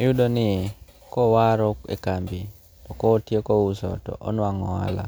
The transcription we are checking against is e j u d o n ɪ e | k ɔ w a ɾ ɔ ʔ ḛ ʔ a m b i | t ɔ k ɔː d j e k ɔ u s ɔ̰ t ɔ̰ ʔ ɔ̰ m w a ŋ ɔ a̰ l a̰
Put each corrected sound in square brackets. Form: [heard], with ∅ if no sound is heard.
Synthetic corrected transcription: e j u d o n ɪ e | k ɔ w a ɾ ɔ [k] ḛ [k] a m b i | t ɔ k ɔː [t] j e k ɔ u s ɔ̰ t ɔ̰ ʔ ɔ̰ [n] w a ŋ ɔ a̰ l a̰